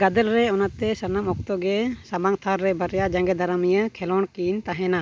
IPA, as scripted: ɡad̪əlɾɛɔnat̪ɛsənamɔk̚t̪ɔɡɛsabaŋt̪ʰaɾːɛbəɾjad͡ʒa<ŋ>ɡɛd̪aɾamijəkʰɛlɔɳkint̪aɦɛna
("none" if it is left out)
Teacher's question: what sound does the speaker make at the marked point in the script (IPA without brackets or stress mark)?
ŋ